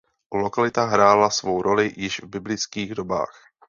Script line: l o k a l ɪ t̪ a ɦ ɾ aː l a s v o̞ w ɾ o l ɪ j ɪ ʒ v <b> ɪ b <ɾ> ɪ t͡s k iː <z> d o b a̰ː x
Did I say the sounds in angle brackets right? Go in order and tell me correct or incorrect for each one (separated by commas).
correct, incorrect, incorrect